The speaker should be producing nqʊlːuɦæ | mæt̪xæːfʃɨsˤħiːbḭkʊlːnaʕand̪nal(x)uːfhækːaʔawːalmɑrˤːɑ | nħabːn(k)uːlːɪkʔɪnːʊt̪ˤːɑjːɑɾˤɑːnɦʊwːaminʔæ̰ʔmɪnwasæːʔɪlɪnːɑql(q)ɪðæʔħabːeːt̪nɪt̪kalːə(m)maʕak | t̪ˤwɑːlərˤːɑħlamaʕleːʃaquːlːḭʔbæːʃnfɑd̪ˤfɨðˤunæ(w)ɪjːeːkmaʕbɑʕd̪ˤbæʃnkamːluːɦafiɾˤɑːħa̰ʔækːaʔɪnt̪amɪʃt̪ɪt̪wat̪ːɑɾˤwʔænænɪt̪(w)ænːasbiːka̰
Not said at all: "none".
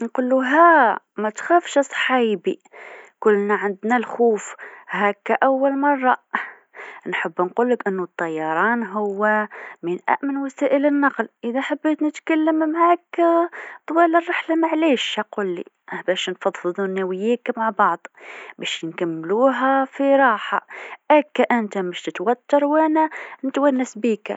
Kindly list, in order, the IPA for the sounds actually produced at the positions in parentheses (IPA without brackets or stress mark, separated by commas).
x, q, ʔ, m, w, w